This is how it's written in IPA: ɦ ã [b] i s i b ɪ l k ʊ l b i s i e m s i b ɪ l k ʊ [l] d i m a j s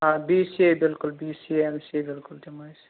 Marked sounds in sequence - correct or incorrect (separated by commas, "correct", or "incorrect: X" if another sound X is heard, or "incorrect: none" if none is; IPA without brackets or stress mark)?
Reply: correct, correct